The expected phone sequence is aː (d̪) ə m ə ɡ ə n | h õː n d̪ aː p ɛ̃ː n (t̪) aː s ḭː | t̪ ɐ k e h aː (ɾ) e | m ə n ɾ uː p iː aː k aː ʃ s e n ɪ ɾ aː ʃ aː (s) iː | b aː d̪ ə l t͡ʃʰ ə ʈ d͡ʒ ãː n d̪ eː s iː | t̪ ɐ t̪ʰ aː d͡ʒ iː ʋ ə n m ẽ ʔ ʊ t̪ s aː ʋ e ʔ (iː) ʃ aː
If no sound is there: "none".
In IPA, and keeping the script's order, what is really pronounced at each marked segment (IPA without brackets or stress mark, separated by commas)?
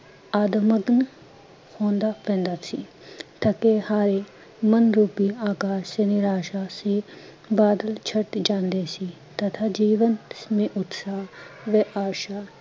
d̪, d̪, ɾ, s, aː